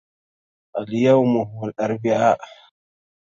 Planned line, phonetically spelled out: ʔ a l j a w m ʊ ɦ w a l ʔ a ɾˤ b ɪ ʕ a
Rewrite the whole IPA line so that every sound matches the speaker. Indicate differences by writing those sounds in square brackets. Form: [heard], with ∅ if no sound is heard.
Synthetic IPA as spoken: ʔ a l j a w m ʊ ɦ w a l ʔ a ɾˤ b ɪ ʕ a